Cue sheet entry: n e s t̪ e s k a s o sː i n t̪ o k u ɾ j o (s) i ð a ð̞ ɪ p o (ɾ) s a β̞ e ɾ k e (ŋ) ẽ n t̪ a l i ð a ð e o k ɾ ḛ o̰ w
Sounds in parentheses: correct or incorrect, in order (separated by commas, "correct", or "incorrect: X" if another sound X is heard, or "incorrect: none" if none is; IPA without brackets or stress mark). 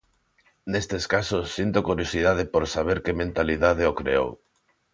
correct, correct, incorrect: m